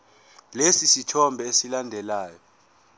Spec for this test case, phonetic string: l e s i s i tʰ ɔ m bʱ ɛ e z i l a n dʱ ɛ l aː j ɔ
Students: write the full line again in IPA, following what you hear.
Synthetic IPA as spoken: l e s i s i tʰ ɔ m bʱ ɛ e s i l a n dʱ ɛ l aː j ɔ